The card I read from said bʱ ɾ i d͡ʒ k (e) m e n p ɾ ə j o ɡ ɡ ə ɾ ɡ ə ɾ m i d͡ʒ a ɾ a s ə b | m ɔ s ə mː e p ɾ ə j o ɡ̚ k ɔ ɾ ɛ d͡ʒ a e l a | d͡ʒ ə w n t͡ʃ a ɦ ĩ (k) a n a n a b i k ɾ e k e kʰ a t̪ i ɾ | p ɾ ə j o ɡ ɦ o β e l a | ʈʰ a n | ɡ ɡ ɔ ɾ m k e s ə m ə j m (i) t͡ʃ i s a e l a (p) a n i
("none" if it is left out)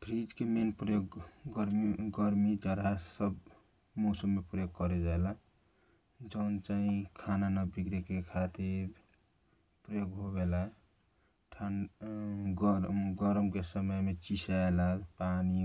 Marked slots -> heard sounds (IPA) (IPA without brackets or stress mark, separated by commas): e, kʰ, e, p